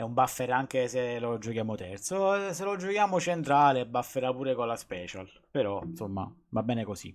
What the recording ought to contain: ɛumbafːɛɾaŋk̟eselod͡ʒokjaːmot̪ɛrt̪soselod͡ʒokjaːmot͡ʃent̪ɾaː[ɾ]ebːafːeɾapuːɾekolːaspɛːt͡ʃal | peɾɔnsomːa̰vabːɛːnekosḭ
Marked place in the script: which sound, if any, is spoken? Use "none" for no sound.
l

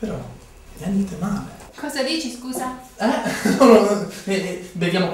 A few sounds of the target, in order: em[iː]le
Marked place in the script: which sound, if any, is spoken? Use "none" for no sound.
aː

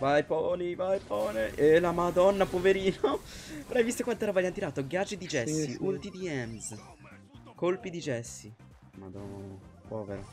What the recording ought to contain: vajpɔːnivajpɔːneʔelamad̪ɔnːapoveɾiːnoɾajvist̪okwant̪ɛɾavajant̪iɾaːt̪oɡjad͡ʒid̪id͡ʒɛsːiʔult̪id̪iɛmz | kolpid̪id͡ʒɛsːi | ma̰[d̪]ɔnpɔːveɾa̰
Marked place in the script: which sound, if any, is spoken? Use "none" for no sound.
d̪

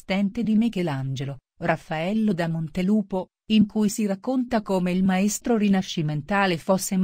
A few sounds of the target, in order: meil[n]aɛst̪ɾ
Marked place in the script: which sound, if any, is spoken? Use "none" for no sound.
m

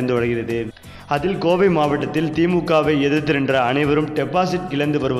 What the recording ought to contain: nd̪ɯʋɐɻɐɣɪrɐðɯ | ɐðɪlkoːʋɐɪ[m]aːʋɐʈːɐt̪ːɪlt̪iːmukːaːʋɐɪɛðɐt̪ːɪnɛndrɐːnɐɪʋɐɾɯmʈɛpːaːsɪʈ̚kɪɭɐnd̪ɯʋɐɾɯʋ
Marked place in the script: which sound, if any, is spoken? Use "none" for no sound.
m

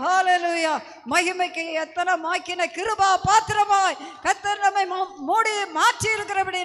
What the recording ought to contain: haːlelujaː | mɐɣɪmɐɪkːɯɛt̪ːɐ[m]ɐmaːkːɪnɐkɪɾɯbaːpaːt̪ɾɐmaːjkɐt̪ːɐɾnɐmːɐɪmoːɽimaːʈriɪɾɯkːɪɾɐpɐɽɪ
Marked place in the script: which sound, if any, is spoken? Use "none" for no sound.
n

